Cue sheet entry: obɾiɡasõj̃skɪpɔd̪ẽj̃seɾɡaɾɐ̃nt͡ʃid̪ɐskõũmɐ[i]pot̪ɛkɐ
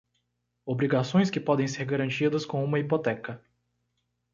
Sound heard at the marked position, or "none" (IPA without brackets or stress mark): i